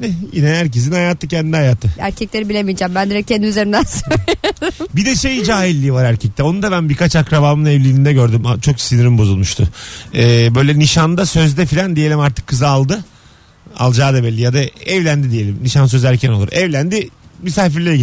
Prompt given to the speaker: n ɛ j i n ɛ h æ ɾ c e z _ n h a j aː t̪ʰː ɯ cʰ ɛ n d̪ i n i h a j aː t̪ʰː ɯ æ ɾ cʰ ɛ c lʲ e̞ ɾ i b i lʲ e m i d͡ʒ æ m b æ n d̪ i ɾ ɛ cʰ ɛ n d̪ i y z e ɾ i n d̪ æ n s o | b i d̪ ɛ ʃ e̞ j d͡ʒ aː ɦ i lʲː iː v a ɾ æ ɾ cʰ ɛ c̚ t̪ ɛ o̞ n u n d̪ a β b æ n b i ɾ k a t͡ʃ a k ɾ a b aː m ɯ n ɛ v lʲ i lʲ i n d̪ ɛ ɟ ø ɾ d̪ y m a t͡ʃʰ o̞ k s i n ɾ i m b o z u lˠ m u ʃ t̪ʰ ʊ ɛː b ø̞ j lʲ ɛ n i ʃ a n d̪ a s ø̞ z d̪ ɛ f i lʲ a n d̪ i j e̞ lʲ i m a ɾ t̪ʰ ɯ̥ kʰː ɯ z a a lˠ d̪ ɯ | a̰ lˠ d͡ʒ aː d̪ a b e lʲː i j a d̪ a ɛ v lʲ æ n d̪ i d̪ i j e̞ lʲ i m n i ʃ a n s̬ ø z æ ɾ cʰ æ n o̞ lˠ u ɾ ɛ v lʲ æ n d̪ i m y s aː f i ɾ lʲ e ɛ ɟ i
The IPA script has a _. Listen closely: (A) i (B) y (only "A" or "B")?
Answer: A